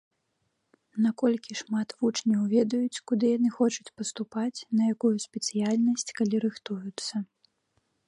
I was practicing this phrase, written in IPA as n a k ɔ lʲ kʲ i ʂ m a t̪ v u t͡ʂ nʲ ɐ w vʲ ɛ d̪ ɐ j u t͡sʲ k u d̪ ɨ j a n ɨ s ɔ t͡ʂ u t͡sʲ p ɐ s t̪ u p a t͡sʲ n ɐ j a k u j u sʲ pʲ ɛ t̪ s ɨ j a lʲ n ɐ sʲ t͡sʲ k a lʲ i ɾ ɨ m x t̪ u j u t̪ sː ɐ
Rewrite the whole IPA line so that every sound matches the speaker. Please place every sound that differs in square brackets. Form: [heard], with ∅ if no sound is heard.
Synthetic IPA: n a k ɔ lʲ kʲ i ʂ m a t̪ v u t͡ʂ nʲ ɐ w vʲ ɛ d̪ ɐ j u t͡sʲ k u d̪ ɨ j a n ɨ [x] ɔ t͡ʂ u t͡sʲ p ɐ s t̪ u p a t͡sʲ n ɐ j a k u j u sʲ pʲ ɛ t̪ s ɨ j a lʲ n ɐ sʲ t͡sʲ k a lʲ i ɾ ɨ [∅] x t̪ u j u t̪ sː ɐ

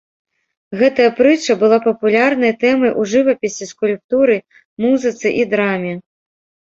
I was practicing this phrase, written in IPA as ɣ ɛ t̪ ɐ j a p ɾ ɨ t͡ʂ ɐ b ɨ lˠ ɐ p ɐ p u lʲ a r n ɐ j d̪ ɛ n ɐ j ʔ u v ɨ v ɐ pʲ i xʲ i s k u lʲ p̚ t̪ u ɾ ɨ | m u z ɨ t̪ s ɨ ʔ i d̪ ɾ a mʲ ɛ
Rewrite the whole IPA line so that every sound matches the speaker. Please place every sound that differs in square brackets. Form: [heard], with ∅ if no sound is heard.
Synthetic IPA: ɣ ɛ t̪ ɐ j [ɐ] p ɾ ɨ t͡ʂ ɐ b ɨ lˠ [a] p ɐ p u lʲ a r n ɐ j [t̪] ɛ [m] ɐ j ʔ u [ʐ] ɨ v ɐ pʲ i [sʲ] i s k u lʲ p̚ t̪ u ɾ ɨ | m u z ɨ t̪ s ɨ ʔ i d̪ ɾ a mʲ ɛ

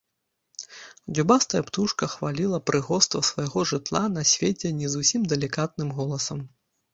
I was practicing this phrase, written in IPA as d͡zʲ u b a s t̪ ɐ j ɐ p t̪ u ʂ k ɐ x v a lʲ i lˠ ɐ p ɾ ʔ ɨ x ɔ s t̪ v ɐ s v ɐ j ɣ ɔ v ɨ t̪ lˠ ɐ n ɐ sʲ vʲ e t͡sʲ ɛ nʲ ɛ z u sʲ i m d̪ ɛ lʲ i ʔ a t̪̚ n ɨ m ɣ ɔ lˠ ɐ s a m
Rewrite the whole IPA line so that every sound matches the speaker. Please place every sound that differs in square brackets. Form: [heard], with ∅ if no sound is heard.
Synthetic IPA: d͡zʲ u b a s t̪ ɐ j ɐ p t̪ u ʂ k ɐ x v a lʲ i lˠ ɐ p ɾ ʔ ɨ [ɣ] ɔ s t̪ v ɐ s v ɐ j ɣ ɔ [ʐ] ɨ t̪ lˠ [a] n ɐ sʲ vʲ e t͡sʲ ɛ nʲ ɛ z u sʲ i m d̪ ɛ lʲ i [k] a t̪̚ n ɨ m ɣ ɔ lˠ ɐ s [ɐ] m

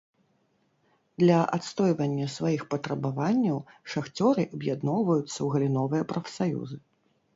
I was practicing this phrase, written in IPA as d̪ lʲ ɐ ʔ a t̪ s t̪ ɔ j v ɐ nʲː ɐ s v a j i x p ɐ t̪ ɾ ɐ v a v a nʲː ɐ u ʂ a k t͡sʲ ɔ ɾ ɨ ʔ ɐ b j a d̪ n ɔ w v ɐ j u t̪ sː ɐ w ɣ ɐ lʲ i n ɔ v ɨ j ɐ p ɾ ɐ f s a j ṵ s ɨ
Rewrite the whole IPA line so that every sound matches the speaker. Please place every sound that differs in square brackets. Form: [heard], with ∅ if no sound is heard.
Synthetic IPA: d̪ lʲ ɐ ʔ a t̪ s t̪ ɔ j v ɐ nʲː ɐ s v a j i x p ɐ t̪ ɾ ɐ [b] a v a nʲː ɐ [w] ʂ a [x] t͡sʲ ɔ ɾ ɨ ʔ ɐ b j a d̪ n ɔ w v ɐ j u t̪ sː ɐ w ɣ ɐ lʲ i n ɔ v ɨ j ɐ p ɾ ɐ f s a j ṵ [z] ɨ

